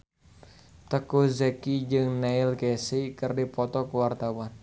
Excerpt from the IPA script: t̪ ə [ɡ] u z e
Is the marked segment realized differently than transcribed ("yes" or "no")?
yes